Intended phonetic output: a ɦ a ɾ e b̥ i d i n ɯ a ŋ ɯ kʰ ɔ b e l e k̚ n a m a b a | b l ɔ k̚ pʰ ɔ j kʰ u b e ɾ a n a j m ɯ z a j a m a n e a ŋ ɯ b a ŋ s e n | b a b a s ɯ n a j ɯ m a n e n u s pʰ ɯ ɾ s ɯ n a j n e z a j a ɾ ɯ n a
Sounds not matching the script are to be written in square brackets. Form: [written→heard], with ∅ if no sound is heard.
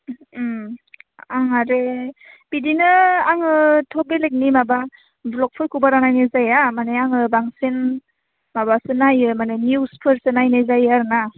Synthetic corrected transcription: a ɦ a ɾ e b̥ i d i n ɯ a ŋ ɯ [kʰ→tʰ] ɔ b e l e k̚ n [a→i] m a b a | b l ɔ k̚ pʰ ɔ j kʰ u b [e→a] ɾ a n a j [m→n] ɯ z a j a m a n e a ŋ ɯ b a ŋ s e n | [b→m] a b a s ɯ n a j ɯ m a n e n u s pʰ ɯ ɾ s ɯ n a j n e z a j a ɾ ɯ n a